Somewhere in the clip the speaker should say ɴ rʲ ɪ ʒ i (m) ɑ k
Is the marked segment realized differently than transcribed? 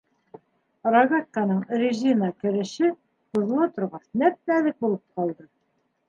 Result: yes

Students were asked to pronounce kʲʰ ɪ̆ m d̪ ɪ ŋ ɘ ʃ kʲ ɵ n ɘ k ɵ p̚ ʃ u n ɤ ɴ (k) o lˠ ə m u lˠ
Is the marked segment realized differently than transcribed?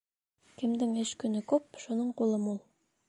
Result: yes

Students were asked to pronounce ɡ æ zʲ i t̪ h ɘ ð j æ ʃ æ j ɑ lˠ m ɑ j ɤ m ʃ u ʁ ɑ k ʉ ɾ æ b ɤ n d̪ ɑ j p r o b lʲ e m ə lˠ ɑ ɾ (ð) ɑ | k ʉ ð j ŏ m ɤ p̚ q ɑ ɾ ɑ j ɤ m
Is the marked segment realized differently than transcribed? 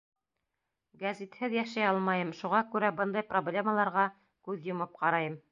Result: yes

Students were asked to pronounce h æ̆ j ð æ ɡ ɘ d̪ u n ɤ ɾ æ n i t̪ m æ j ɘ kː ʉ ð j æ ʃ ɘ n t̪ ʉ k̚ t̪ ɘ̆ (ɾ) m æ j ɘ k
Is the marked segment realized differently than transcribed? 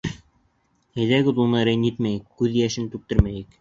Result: no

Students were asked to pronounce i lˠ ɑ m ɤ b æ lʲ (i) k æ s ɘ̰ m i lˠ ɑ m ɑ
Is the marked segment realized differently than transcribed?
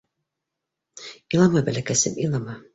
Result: yes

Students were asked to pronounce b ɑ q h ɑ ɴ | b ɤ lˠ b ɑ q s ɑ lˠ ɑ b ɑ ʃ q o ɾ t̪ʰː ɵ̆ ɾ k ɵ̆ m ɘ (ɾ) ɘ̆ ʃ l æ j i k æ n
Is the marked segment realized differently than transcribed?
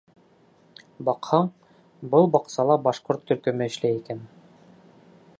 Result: yes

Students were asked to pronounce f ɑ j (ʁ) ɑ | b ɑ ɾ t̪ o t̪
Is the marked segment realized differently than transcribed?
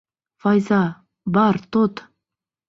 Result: yes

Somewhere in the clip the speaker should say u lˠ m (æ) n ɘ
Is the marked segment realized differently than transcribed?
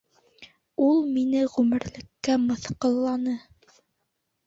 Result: yes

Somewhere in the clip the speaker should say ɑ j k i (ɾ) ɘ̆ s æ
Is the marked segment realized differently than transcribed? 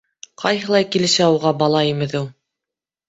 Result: yes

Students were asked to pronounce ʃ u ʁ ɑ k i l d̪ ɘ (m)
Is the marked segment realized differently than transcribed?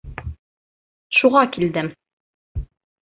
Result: no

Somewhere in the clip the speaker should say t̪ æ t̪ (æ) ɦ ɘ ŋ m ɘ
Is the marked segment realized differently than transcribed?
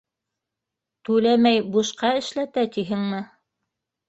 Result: yes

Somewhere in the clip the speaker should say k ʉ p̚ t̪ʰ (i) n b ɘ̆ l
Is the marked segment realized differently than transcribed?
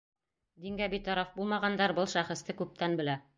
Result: yes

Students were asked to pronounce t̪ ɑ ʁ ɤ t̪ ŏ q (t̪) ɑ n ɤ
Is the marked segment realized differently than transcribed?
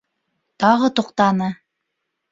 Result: no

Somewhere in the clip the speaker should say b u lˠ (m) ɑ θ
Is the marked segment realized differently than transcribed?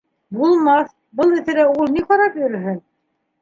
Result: no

